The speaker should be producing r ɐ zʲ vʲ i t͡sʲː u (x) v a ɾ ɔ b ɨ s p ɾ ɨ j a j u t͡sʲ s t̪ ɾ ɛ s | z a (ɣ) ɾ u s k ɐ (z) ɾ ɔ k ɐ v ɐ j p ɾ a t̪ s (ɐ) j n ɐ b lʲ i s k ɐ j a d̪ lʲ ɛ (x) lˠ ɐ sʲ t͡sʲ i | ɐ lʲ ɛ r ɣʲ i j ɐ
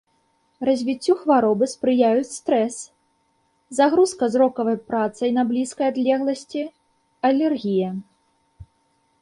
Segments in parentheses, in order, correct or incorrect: correct, correct, correct, correct, incorrect: ɣ

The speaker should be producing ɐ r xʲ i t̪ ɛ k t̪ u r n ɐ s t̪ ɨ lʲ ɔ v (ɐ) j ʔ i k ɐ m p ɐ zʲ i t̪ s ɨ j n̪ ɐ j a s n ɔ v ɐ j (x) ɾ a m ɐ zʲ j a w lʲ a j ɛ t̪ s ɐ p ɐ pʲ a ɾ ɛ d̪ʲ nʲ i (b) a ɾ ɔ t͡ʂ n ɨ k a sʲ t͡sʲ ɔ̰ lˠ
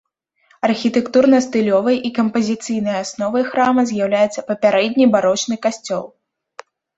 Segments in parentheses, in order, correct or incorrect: correct, correct, correct

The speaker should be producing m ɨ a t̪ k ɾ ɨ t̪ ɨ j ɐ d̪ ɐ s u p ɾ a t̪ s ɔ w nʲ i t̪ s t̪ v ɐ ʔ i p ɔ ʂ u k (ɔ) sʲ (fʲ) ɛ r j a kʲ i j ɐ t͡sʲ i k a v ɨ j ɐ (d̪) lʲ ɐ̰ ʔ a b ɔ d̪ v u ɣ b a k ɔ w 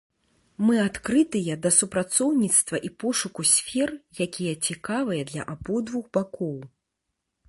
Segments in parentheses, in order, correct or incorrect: incorrect: u, correct, correct

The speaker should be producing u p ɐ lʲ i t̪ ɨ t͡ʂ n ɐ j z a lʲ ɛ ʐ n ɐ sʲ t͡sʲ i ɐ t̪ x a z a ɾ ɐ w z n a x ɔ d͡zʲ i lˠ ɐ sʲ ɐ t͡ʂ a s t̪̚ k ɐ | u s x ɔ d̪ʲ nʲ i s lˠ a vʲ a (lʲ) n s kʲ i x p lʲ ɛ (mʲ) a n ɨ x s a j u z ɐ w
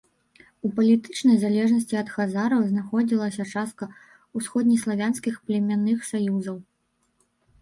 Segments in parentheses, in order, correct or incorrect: incorrect: none, correct

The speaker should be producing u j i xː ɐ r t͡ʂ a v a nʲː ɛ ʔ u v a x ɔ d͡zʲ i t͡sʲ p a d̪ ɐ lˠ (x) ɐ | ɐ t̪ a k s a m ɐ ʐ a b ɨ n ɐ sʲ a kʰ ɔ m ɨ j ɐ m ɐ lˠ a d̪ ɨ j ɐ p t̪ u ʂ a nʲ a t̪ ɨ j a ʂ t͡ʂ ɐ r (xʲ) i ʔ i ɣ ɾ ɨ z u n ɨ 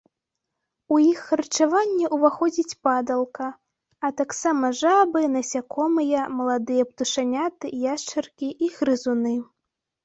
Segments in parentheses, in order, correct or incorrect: incorrect: k, incorrect: kʲ

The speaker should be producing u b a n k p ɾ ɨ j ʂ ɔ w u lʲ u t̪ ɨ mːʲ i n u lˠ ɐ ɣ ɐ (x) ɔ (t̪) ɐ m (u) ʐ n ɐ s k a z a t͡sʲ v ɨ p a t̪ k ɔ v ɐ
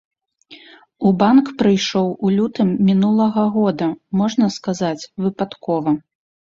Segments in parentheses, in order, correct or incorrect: incorrect: ɣ, incorrect: d̪, incorrect: ɔ

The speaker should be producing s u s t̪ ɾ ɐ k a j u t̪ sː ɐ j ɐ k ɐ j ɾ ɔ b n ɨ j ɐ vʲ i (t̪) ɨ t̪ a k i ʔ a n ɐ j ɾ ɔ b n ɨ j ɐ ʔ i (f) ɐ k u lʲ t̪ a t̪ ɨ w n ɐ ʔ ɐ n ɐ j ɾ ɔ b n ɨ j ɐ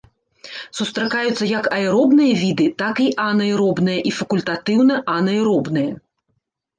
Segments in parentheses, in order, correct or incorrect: incorrect: d̪, correct

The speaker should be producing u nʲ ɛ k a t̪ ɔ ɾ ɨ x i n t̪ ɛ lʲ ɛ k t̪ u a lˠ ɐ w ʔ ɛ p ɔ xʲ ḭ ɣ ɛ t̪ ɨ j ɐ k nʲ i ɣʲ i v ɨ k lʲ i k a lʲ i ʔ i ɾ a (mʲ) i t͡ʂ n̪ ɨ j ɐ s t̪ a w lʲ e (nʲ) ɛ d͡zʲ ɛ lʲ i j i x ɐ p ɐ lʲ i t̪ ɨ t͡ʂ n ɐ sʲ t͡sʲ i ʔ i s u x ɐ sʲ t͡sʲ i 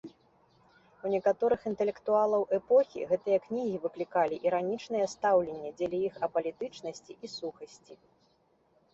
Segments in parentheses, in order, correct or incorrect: incorrect: nʲ, incorrect: nʲː

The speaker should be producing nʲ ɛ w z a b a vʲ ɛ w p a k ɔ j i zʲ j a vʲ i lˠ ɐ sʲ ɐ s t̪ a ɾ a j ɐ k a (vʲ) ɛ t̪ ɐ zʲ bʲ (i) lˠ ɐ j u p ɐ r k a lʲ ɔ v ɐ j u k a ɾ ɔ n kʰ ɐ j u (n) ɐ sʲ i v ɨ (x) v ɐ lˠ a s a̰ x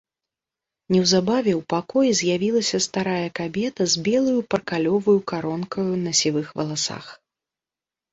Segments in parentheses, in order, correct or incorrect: incorrect: bʲ, incorrect: ɛ, correct, correct

